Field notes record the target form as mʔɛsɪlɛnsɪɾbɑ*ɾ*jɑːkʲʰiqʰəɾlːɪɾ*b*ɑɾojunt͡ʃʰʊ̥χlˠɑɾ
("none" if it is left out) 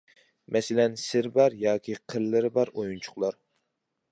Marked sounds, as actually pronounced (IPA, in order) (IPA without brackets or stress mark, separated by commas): ɾ, b